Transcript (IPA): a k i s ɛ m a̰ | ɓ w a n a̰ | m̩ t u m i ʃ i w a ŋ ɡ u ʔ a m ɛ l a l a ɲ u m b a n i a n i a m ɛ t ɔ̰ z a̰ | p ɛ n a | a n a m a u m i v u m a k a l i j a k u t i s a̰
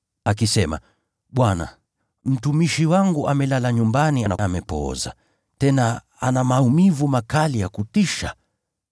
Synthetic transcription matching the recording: a k i s ɛ m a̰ | ɓ w a n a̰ | m̩ t u m i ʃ i w a ŋ ɡ u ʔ a m ɛ l a l a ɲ u m b a n i a n a a m ɛ p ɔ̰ z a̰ | t ɛ n a | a n a m a u m i v u m a k a l i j a k u t i ʃ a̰

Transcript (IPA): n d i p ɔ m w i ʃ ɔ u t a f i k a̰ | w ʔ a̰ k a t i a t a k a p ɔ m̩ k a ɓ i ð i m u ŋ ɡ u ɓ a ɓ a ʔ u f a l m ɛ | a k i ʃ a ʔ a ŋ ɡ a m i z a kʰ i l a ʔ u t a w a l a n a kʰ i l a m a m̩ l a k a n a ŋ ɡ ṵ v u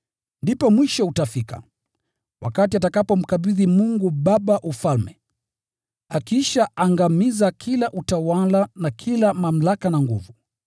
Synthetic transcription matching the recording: n d i p ɔ m w i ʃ ɔ u t a f i k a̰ | w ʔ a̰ k a t i a t a k a p ɔ m̩ k a ɓ i ð i m u ŋ ɡ u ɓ a ɓ a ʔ u f a l m ɛ | a k i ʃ a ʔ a ŋ ɡ a m i z a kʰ i l a ʔ u t a w a l a n a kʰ i l a m a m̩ l a k a n a ŋ ɡ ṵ v u

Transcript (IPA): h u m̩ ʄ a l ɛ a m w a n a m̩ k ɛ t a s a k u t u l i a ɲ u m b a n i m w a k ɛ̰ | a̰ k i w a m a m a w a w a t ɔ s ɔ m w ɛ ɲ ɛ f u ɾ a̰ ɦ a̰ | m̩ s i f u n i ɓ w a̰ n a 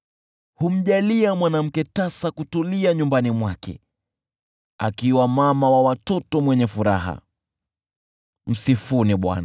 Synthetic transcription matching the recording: h u m̩ ʄ a l i a m w a n a m̩ k ɛ t a s a k u t u l i a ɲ u m b a n i m w a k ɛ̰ | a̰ k i w a m a m a w a w a t ɔ t ɔ m w ɛ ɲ ɛ f u ɾ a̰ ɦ a̰ | m̩ s i f u n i ɓ w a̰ n a

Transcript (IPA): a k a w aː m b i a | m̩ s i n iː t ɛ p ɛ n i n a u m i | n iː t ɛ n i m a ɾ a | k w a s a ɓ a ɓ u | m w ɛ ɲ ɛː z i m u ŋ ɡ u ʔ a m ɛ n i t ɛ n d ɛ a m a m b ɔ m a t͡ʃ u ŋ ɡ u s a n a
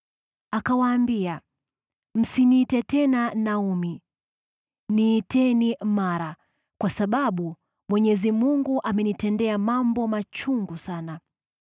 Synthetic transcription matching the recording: a k a w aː m b i a | m̩ s i n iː t ɛ t ɛ n a n a u m i | n iː t ɛ n i m a ɾ a | k w a s a ɓ a ɓ u | m w ɛ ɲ ɛ z i m u ŋ ɡ u ʔ a m ɛ n i t ɛ n d ɛ a m a m b ɔ m a t͡ʃ u ŋ ɡ u s a n a

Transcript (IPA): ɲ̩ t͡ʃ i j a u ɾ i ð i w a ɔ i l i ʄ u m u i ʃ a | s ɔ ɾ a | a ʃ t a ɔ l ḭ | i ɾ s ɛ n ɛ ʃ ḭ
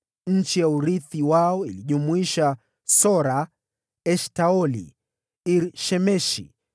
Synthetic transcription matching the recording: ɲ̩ t͡ʃ i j a u ɾ i θ i w a ɔ i l i ʄ u m u i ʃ a | s ɔ ɾ a | ɛ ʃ t a ɔ l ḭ | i ɾ ʃ ɛ m ɛ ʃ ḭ

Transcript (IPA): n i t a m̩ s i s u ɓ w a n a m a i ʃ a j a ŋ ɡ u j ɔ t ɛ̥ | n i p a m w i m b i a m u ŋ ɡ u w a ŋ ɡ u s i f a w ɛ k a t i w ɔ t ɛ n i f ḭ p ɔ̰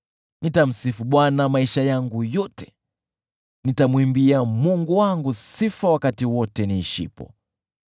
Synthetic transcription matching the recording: n i t a m̩ s i f u ɓ w a n a m a i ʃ a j a ŋ ɡ u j ɔ t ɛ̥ | n i t a m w i m b i a m u ŋ ɡ u w a ŋ ɡ u s i f a w a k a t i w ɔ t ɛ n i ʃ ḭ p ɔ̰

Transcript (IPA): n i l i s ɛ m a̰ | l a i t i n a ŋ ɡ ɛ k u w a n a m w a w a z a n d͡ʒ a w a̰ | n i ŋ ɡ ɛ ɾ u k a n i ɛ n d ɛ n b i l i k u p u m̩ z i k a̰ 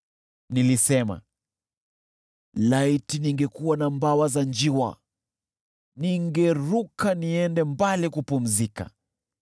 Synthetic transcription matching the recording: n i l i s ɛ m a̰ | l a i t i n i ŋ ɡ ɛ k u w a n a m b a w a z a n d͡ʒ i w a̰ | n i ŋ ɡ ɛ ɾ u k a n i ɛ n d ɛ m b a l i k u p u m̩ z i k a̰

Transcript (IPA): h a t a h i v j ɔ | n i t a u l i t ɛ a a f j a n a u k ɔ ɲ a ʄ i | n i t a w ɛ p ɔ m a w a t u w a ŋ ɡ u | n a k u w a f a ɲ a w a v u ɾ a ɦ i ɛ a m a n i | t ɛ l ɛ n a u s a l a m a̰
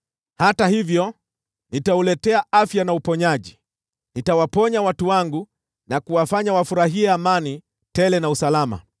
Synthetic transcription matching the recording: h a t a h i v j ɔ | n i t a u l ɛ t ɛ a a f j a n a u p ɔ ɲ a ʄ i | n i t a w a p ɔ ɲ a w a t u w a ŋ ɡ u | n a k u w a f a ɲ a w a f u ɾ a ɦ i ɛ a m a n i | t ɛ l ɛ n a u s a l a m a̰

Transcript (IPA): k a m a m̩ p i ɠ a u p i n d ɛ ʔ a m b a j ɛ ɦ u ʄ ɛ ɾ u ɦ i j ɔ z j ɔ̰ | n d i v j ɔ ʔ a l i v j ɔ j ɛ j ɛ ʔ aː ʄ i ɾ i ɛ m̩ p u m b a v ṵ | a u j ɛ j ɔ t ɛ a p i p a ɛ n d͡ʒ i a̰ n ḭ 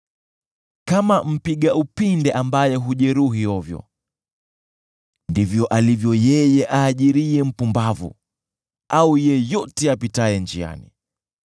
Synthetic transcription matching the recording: k a m a m̩ p i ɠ a u p i n d ɛ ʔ a m b a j ɛ ɦ u ʄ ɛ ɾ u ɦ i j ɔ v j ɔ̰ | n d i v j ɔ ʔ a l i v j ɔ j ɛ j ɛ ʔ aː ʄ i ɾ i ɛ m̩ p u m b a v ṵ | a u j ɛ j ɔ t ɛ a p i t a ɛ n d͡ʒ i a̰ n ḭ

